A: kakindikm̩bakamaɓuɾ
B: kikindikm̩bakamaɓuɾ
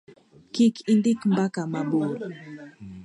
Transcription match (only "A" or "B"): B